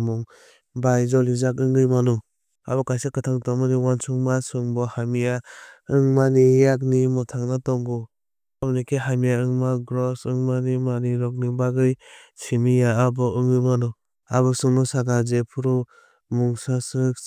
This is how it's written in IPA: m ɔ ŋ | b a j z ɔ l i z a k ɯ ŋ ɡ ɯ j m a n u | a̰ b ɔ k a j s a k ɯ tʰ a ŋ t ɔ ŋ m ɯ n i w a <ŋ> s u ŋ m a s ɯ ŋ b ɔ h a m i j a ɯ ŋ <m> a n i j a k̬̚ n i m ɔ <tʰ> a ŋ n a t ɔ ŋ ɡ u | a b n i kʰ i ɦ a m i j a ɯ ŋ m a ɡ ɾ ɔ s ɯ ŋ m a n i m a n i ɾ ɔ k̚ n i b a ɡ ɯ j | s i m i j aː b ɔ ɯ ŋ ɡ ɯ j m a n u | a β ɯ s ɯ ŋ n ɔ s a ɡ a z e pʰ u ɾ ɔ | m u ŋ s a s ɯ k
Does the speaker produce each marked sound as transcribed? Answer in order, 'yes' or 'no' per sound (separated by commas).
no, yes, yes